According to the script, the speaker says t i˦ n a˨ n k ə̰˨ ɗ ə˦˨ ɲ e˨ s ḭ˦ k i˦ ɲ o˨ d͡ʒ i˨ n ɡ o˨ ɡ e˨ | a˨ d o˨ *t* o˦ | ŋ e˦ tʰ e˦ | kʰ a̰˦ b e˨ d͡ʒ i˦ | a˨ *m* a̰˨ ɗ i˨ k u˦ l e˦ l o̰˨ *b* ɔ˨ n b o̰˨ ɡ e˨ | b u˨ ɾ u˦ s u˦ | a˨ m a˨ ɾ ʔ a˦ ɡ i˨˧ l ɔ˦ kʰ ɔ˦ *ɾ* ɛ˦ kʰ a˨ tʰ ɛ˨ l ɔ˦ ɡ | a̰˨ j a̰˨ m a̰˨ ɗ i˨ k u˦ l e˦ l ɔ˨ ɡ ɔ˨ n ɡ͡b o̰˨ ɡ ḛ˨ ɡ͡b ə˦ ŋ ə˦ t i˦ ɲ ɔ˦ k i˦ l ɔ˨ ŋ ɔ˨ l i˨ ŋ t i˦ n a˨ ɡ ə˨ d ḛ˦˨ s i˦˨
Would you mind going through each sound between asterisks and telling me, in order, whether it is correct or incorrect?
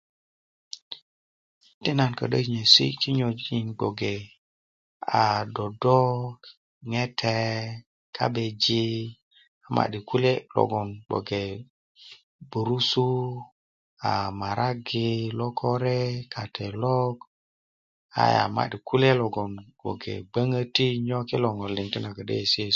incorrect, correct, incorrect, correct

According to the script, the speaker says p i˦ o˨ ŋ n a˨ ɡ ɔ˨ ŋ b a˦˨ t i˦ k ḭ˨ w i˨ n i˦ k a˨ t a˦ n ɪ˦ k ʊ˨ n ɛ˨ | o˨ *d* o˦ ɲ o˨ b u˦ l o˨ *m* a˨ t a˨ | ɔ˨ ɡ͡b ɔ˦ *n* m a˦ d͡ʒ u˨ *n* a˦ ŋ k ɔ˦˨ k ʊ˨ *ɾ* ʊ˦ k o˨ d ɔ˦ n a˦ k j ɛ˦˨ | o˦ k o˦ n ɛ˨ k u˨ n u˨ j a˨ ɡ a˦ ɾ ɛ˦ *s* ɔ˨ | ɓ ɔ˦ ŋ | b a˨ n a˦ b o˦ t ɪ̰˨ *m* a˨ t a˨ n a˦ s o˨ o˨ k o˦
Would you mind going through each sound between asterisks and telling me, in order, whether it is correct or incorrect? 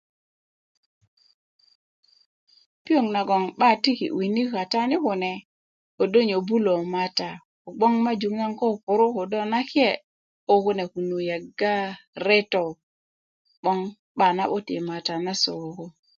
correct, correct, incorrect, incorrect, correct, incorrect, correct

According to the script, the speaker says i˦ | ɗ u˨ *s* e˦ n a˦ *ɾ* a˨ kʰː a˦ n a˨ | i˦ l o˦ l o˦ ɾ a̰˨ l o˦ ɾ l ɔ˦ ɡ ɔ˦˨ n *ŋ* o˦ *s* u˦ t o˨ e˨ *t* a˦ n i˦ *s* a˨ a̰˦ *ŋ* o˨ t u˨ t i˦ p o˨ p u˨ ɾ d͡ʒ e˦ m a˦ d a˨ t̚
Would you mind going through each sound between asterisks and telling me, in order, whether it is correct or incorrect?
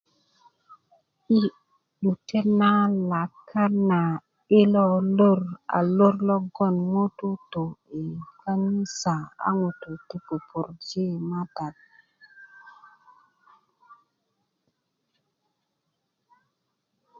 incorrect, incorrect, correct, incorrect, incorrect, correct, correct

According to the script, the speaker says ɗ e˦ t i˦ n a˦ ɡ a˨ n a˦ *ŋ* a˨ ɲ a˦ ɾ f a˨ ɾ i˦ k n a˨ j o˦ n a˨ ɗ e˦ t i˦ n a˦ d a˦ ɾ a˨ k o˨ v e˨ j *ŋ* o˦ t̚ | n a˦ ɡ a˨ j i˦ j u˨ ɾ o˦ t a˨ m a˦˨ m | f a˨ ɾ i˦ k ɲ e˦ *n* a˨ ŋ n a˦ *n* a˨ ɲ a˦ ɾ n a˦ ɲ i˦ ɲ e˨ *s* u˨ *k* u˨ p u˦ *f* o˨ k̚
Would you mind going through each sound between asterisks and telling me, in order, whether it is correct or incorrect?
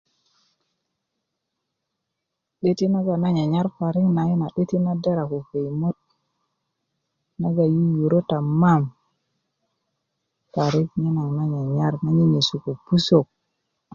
incorrect, incorrect, correct, incorrect, correct, correct, incorrect

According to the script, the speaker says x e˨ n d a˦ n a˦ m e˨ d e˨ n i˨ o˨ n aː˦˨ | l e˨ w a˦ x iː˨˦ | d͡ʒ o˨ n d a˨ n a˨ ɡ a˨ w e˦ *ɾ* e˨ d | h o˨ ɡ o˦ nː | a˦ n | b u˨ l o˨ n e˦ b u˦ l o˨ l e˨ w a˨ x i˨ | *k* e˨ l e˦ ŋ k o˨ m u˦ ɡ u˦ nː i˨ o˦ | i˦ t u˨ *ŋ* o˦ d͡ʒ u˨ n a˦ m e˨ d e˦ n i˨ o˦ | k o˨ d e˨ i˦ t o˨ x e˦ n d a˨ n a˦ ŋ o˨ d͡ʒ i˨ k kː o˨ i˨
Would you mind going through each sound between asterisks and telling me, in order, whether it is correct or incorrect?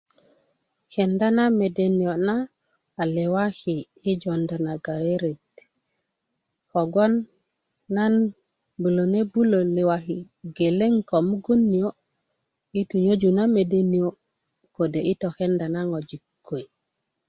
correct, incorrect, incorrect

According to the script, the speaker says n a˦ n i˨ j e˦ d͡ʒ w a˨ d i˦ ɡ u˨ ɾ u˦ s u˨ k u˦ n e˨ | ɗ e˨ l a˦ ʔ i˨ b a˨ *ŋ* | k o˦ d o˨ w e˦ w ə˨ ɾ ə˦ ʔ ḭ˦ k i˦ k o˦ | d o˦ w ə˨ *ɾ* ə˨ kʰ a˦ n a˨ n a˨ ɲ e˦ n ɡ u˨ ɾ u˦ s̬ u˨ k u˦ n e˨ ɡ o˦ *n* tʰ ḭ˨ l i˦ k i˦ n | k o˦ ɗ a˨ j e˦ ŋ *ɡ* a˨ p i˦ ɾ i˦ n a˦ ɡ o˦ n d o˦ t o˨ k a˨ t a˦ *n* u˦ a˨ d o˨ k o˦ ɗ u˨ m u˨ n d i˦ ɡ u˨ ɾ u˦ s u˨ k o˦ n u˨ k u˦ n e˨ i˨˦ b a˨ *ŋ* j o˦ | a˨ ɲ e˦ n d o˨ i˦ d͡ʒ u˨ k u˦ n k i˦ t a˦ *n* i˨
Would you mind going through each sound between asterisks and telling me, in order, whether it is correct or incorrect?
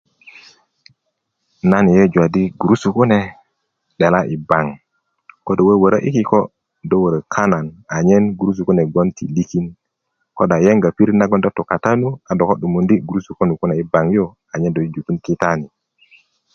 correct, correct, correct, correct, correct, correct, correct

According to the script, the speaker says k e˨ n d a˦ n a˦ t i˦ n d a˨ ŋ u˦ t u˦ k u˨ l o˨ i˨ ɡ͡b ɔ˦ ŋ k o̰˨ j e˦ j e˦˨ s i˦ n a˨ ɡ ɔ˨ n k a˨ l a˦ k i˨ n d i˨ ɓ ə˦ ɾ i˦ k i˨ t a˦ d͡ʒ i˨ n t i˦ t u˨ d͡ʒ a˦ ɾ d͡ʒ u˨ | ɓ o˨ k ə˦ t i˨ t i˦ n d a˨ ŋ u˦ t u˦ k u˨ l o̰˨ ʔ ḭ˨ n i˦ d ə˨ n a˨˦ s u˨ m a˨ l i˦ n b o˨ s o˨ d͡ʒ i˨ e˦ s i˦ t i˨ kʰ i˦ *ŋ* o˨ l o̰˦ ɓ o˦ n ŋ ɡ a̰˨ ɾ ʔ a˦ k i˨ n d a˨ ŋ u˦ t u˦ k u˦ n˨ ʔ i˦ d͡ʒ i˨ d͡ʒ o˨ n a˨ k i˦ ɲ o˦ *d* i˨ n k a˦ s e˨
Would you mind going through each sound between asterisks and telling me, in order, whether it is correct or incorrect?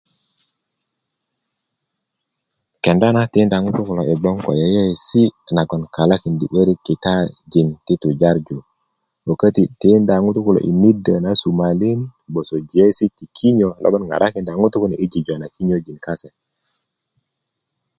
incorrect, incorrect

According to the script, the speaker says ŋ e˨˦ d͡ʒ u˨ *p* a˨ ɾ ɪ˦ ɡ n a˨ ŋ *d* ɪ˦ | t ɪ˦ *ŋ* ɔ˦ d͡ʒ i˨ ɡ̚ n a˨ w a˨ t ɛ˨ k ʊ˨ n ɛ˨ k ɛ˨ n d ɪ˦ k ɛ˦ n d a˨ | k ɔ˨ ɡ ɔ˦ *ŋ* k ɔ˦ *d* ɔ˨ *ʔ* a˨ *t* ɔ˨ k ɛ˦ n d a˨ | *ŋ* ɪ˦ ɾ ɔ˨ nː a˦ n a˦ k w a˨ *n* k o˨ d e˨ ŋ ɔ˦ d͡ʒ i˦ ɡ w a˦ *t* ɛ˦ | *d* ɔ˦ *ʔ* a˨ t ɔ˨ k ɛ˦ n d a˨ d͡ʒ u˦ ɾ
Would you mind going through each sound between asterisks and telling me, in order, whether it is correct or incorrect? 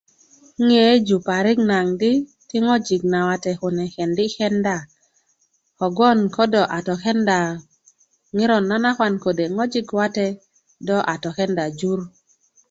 correct, correct, correct, incorrect, correct, correct, correct, correct, correct, correct, correct, correct

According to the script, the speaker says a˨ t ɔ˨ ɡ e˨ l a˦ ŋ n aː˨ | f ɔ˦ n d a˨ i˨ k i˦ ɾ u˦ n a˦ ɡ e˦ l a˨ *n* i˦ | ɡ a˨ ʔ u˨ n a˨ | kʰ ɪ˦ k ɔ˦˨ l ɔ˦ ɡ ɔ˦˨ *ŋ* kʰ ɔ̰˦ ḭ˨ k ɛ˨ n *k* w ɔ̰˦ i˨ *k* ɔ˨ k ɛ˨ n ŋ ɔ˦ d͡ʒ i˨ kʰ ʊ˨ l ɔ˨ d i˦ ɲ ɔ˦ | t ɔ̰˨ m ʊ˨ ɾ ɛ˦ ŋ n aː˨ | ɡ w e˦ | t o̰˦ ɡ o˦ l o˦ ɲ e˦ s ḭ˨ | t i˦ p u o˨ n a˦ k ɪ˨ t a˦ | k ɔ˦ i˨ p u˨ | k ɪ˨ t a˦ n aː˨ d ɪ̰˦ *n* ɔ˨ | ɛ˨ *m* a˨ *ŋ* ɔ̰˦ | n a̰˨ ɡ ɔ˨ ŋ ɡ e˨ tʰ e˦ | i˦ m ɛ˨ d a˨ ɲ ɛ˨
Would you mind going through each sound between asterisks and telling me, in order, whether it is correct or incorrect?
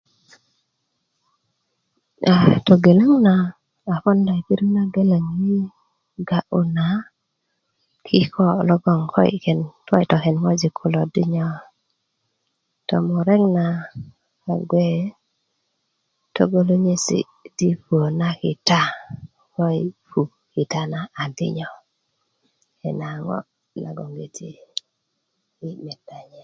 incorrect, correct, incorrect, incorrect, incorrect, incorrect, correct

